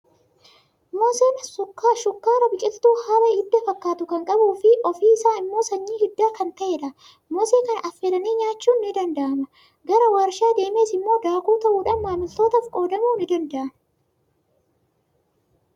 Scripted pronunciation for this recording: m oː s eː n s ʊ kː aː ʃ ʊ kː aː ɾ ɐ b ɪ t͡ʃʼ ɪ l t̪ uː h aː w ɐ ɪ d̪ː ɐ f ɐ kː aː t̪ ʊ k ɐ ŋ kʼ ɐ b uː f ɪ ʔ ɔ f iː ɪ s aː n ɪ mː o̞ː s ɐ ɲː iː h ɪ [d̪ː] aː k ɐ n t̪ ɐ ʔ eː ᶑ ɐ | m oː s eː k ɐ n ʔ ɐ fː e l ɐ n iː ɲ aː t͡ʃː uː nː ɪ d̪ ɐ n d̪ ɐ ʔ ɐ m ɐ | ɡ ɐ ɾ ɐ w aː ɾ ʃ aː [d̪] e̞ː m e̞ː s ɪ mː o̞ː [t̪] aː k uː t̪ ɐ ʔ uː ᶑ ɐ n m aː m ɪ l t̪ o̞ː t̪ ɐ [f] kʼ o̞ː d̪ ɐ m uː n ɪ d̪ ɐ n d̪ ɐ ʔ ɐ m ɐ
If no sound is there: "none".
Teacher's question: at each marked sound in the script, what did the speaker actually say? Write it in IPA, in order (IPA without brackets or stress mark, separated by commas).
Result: d̪ː, d̪, d̪, f